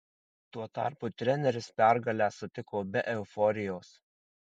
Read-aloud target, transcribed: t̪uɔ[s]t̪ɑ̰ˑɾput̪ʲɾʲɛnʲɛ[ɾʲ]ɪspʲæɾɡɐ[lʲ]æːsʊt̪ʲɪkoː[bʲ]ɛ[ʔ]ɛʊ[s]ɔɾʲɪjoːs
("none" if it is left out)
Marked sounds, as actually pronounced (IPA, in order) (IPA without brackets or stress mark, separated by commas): none, ɾʲ, lʲ, bʲ, ʔ, f